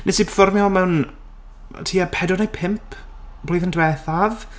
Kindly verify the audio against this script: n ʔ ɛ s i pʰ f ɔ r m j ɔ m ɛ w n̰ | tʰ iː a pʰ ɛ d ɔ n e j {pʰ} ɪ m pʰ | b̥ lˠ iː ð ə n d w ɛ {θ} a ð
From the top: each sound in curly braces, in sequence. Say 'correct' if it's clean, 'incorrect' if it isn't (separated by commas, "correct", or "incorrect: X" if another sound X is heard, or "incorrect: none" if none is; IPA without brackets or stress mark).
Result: correct, correct